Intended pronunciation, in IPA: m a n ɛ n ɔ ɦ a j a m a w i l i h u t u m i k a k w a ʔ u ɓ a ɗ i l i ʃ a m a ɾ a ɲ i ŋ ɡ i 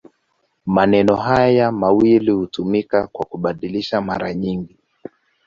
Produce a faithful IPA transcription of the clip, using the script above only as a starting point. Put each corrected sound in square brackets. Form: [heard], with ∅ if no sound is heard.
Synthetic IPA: m a n ɛ n ɔ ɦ a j a m a w i l i h u t u m i k a k w a [k] u ɓ a ɗ i l i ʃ a m a ɾ a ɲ i ŋ ɡ i